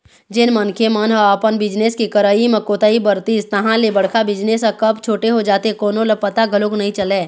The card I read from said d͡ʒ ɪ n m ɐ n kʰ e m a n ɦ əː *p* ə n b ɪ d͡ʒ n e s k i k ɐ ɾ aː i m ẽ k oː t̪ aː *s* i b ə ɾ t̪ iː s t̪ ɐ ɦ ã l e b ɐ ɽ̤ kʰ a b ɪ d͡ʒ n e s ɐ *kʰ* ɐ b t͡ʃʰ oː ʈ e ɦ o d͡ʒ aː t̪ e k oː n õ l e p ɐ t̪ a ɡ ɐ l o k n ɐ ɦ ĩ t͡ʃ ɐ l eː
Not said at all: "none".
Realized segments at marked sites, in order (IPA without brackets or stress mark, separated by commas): p, none, k